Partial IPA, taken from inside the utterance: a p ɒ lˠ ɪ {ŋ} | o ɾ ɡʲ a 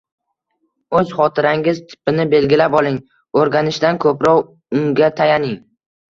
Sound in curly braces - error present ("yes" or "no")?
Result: no